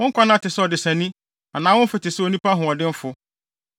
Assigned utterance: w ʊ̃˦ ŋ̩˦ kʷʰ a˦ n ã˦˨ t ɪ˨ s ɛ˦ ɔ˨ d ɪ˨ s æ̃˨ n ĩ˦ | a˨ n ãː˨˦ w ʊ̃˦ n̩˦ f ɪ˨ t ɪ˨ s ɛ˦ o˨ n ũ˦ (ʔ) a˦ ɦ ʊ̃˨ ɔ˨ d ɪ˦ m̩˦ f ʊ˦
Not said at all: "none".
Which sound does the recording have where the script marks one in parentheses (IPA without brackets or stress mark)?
p